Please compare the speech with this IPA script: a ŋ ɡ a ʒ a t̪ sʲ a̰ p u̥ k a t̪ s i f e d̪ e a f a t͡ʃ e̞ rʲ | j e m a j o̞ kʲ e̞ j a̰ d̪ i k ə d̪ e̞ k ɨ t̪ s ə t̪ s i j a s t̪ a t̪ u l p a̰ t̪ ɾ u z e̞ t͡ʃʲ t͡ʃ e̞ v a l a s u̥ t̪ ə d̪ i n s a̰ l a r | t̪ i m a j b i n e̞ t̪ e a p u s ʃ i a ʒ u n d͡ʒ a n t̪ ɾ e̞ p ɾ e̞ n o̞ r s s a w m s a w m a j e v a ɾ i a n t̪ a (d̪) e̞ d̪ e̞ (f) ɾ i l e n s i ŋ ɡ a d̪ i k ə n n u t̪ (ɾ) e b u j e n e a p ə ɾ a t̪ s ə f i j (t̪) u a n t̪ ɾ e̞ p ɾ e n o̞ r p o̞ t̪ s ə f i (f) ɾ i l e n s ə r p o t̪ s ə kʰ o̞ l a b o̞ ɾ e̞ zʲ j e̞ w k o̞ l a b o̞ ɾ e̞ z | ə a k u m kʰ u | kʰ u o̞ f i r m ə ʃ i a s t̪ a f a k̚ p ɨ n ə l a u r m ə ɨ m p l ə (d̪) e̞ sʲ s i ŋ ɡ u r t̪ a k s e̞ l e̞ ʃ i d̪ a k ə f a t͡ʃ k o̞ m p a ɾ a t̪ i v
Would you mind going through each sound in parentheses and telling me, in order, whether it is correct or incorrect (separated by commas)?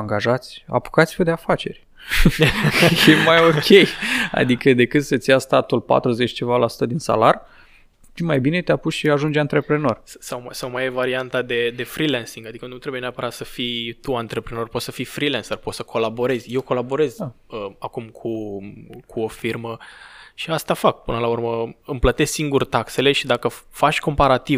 correct, correct, correct, correct, correct, incorrect